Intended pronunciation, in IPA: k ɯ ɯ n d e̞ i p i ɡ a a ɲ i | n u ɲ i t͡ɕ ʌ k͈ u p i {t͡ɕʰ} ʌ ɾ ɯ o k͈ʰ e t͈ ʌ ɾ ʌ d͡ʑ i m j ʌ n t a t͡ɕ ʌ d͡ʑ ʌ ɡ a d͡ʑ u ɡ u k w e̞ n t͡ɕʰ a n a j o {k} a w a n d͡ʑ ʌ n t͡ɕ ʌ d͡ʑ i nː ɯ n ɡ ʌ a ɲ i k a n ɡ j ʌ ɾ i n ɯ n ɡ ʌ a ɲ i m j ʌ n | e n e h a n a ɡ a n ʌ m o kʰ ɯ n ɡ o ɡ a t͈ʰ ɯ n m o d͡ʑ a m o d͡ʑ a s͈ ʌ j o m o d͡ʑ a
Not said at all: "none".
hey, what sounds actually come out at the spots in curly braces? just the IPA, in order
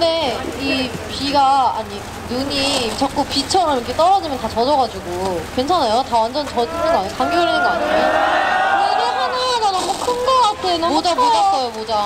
t͡ɕʰ, t

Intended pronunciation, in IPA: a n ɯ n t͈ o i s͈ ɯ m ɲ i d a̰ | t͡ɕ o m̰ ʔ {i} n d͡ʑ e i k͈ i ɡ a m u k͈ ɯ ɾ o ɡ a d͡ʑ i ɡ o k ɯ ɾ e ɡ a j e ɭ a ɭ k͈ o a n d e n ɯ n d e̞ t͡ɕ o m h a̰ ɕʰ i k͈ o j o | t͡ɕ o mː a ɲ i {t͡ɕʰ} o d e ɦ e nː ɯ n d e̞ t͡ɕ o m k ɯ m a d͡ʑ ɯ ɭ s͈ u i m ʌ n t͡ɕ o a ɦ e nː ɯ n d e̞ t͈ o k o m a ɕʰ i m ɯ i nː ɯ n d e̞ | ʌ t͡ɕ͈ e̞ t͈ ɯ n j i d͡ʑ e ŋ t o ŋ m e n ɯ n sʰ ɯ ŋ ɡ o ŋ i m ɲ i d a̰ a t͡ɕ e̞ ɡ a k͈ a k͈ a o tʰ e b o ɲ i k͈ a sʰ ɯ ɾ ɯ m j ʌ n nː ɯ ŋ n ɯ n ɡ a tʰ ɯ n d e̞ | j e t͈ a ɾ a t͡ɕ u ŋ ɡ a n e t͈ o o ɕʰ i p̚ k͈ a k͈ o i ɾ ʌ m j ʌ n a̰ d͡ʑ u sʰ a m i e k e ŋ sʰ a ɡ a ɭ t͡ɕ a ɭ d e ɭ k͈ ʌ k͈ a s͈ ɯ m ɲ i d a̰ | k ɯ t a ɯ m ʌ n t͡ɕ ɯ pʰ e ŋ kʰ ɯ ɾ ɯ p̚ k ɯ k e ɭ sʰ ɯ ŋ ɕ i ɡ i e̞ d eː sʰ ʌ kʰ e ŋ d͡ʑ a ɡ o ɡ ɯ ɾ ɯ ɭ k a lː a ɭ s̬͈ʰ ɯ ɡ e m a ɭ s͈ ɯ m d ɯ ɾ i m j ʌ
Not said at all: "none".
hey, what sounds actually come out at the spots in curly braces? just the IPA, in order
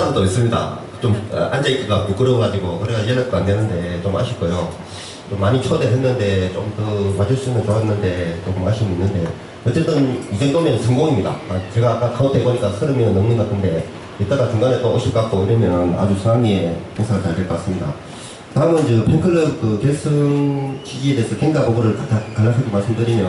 a, t͡ɕʰ

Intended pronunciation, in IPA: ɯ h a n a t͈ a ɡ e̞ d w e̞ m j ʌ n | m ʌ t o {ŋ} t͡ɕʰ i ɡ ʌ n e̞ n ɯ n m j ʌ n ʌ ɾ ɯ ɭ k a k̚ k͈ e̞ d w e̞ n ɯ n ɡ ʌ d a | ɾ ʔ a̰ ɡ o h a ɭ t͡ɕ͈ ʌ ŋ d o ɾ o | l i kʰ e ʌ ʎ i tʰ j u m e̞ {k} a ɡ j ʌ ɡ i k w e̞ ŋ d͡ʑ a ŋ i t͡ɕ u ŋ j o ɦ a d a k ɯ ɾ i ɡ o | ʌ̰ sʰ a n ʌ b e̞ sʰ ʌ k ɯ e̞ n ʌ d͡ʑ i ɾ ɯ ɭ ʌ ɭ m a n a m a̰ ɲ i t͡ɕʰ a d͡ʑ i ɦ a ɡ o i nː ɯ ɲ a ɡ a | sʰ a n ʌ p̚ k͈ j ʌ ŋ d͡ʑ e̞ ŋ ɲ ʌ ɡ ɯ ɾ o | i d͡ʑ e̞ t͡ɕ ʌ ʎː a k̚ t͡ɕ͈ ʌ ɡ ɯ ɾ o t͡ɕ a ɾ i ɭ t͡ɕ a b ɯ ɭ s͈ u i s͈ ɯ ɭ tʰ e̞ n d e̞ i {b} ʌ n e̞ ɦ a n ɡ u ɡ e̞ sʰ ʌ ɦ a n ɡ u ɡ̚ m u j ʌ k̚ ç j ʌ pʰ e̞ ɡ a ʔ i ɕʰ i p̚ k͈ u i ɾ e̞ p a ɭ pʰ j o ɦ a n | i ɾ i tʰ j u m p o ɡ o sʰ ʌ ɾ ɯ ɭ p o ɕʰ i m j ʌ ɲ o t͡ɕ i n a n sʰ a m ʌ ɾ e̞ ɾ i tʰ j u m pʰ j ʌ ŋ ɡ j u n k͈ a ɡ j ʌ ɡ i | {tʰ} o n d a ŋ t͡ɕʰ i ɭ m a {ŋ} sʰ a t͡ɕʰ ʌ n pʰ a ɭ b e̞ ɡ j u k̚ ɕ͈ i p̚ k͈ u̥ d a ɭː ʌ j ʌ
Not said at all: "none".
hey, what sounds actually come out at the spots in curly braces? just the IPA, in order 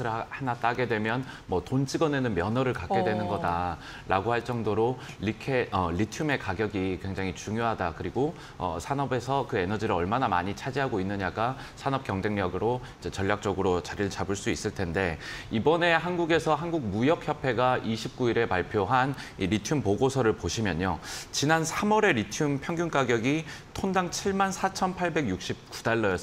n, k, b, tʰ, n

